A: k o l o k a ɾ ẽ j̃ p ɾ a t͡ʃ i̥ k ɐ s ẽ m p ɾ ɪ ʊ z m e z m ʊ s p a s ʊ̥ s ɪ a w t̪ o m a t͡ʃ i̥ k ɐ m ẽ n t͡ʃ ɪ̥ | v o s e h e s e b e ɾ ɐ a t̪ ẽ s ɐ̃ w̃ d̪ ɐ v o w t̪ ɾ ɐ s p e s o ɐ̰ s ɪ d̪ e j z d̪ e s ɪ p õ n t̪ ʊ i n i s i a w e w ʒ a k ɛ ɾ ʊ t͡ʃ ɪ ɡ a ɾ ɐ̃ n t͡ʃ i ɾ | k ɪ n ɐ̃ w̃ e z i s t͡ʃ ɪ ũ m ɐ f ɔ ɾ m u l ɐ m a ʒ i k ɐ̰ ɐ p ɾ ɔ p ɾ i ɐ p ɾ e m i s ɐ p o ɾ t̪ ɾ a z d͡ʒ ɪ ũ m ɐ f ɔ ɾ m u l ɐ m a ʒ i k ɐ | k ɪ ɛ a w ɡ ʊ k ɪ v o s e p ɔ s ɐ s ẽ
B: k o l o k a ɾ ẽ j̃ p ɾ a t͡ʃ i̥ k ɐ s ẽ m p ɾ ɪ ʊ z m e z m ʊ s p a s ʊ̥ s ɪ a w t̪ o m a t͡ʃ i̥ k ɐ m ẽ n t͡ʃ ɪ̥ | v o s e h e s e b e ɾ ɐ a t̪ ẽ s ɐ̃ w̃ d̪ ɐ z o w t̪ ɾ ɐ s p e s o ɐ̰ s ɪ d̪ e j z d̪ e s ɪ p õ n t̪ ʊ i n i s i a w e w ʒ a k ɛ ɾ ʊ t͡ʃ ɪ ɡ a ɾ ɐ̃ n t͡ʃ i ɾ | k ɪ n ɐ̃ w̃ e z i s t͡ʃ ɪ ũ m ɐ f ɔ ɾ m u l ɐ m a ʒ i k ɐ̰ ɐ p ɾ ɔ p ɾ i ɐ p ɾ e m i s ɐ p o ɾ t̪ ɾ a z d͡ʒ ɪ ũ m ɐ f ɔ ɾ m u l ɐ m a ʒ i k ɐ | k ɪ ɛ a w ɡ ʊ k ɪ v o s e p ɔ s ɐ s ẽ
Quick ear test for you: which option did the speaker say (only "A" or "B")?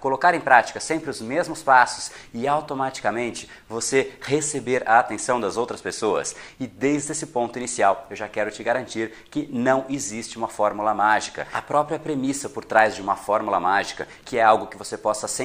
B